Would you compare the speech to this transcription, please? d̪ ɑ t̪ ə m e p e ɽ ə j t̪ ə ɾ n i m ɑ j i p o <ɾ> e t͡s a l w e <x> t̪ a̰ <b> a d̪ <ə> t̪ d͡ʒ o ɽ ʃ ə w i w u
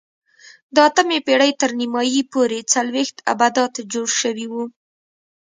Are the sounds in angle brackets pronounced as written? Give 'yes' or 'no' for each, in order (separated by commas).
yes, yes, yes, no